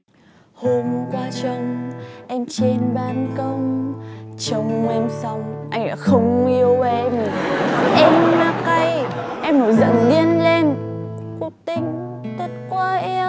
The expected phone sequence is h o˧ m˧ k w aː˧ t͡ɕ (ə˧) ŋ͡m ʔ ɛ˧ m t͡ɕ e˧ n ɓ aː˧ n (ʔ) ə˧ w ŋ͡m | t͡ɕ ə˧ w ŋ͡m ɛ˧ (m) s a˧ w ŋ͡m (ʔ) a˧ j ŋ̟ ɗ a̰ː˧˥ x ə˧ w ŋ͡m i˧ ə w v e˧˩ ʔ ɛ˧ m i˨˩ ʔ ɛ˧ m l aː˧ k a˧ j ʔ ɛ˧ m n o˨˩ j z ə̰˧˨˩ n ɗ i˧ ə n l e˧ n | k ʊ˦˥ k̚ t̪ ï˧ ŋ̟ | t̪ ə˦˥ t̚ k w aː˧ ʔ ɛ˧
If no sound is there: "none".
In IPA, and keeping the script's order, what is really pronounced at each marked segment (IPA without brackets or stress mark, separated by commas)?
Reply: ə˧, k, m, ʔ